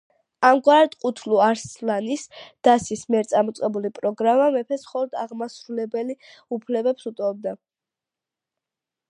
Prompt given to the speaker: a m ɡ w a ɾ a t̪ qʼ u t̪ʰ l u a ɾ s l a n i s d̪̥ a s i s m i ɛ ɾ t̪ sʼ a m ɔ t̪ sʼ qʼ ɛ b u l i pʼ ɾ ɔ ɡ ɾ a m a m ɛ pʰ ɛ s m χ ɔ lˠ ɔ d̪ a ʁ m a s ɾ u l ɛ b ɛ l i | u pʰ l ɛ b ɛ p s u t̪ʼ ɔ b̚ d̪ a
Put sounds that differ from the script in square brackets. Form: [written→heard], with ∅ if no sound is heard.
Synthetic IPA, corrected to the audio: a m ɡ w a ɾ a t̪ qʼ u t̪ʰ l u a ɾ s l a n i s d̪̥ a s i s m i ɛ ɾ t̪ sʼ a m ɔ t̪ sʼ qʼ ɛ b u l i pʼ ɾ ɔ ɡ ɾ a m a m ɛ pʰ ɛ s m χ ɔ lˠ ɔ d̪ a ʁ m a s ɾ u l ɛ b ɛ l i | u pʰ l ɛ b ɛ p s u t̪ʼ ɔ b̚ d̪ a

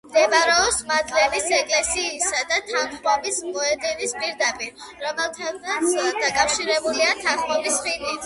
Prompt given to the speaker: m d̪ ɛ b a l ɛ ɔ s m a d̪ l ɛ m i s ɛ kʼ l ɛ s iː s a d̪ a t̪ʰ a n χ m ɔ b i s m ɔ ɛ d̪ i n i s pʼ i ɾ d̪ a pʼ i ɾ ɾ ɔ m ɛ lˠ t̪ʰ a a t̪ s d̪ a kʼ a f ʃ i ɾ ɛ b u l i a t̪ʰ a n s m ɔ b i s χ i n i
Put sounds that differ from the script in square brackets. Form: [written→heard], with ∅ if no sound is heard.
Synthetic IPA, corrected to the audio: m d̪ ɛ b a [l→ɾ] ɛ ɔ s m a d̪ l ɛ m i s ɛ kʼ l ɛ s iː s a d̪ a t̪ʰ a n χ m ɔ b i s m ɔ ɛ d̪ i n i s pʼ i ɾ d̪ a pʼ i ɾ ɾ ɔ m ɛ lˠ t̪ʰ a a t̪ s d̪ a kʼ a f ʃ i ɾ ɛ b u l i a t̪ʰ a n [s→χ] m ɔ b i s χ i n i

